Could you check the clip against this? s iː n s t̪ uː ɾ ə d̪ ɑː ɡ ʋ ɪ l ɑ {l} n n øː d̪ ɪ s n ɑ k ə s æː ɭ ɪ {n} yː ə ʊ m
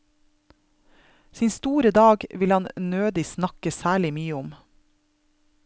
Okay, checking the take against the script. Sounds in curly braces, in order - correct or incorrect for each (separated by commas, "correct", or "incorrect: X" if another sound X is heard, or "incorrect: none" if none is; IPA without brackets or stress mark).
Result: incorrect: none, incorrect: m